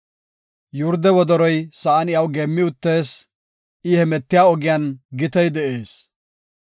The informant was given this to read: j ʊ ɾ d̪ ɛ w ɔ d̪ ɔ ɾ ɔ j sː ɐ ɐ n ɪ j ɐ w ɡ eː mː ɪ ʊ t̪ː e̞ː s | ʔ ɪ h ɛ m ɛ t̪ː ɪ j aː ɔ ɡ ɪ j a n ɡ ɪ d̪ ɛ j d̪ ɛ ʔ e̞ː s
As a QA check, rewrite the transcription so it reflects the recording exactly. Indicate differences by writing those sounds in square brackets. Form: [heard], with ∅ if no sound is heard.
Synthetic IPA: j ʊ ɾ d̪ ɛ w ɔ d̪ ɔ ɾ ɔ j [s] ɐ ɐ n ɪ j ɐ w ɡ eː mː ɪ ʊ t̪ː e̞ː s | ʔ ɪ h ɛ m ɛ t̪ː ɪ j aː ɔ ɡ ɪ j a n ɡ ɪ [t̪] ɛ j d̪ ɛ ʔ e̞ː s